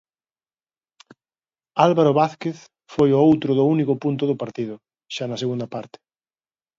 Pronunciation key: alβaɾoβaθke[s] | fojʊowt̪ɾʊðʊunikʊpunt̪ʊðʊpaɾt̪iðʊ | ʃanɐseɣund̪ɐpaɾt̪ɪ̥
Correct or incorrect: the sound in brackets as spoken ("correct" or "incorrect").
incorrect